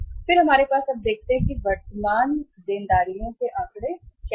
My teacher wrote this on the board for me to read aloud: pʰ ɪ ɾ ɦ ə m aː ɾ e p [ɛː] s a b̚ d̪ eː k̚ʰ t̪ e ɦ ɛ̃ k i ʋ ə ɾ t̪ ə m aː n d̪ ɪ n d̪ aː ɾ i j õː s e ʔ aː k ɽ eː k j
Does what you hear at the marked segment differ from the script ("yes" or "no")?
yes